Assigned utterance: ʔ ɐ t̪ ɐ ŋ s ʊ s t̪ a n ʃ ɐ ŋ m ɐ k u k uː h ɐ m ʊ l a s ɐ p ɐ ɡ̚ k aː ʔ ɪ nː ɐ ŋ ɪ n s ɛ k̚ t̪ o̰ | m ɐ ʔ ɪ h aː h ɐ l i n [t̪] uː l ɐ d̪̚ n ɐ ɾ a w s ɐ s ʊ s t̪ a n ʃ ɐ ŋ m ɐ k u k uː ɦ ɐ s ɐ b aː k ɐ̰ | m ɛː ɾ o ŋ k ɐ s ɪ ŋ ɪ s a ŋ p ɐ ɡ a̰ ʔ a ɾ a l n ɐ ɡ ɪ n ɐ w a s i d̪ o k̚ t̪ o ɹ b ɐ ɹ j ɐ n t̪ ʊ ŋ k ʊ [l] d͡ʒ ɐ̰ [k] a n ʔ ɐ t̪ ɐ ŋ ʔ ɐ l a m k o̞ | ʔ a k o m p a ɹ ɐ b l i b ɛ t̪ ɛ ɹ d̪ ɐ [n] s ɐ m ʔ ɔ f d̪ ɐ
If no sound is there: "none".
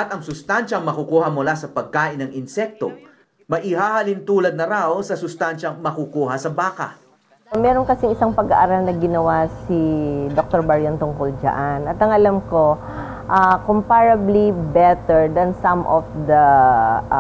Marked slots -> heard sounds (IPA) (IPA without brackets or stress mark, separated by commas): t̪, l, ʔ, n